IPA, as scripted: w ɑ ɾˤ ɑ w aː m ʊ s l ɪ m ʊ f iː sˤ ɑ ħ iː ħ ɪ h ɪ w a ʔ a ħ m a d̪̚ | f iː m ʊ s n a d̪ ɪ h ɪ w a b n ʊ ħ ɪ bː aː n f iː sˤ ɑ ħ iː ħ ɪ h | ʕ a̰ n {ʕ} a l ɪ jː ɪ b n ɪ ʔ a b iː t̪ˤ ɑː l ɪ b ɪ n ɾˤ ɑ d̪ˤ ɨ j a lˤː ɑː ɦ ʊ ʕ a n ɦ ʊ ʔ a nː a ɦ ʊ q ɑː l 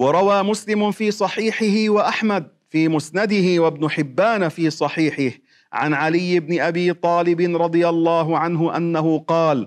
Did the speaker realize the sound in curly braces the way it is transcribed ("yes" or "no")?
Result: yes